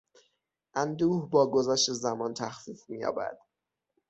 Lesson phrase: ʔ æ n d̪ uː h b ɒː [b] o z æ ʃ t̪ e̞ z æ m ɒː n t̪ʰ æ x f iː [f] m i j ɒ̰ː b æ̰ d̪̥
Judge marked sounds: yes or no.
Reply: no, yes

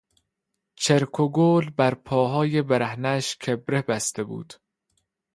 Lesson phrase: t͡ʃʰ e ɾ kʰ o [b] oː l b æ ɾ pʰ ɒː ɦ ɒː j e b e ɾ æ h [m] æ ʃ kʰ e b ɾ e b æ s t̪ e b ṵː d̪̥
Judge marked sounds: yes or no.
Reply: no, no

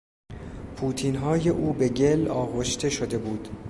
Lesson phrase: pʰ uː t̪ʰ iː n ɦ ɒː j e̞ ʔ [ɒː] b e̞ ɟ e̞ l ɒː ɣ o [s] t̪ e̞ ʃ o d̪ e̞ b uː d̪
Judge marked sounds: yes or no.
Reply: no, no

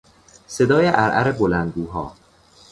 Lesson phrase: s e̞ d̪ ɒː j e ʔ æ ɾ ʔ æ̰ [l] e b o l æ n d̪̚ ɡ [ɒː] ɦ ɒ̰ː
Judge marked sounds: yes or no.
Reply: no, no

